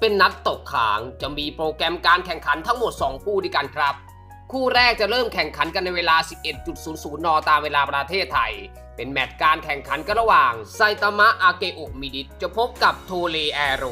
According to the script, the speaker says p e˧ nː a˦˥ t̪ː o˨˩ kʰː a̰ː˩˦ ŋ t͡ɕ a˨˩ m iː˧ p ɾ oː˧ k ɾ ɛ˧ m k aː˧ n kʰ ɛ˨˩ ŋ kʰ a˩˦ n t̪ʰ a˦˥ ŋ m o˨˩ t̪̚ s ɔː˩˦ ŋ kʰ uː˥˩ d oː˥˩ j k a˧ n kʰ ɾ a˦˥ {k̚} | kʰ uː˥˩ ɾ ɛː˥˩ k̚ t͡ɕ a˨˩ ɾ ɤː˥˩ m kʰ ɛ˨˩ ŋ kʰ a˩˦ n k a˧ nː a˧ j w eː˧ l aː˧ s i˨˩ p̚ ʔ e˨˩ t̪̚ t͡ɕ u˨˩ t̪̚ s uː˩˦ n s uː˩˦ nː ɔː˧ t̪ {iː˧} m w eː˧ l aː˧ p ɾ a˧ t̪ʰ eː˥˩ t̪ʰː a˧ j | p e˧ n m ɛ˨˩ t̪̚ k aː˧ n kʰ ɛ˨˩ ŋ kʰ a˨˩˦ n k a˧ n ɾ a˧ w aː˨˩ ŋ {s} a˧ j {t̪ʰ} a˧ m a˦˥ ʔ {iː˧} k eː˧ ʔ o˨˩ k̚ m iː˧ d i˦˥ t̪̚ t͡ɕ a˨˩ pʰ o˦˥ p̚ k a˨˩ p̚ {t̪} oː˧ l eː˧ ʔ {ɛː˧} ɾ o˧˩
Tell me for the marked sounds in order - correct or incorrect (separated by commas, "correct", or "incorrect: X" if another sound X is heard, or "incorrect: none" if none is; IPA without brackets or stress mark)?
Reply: incorrect: p̚, incorrect: aː˧, correct, incorrect: t̪, incorrect: aː˧, incorrect: t̪ʰ, correct